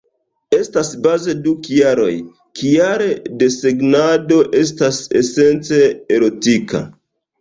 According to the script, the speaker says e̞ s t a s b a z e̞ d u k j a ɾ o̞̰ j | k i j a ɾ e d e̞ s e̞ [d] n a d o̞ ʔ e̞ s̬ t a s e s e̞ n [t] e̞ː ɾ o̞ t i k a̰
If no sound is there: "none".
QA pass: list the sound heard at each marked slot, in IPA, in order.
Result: ɡ, t͡s

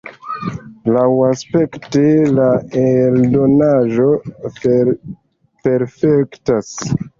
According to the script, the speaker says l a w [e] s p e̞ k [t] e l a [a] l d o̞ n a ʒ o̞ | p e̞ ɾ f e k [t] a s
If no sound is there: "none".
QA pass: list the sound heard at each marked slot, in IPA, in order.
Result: a, t, e, t

